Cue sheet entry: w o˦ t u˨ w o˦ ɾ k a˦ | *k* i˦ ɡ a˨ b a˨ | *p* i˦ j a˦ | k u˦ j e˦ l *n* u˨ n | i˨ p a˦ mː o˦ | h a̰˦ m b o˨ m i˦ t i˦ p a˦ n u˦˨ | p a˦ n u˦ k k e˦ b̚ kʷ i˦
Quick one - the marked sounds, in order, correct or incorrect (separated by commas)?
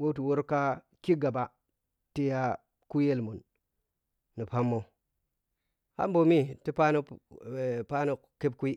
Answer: correct, incorrect, incorrect